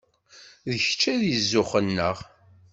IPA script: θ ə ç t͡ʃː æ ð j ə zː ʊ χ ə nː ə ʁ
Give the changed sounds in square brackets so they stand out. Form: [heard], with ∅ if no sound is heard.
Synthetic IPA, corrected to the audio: [ð] ə ç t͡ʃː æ ð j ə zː ʊ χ ə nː ə ʁ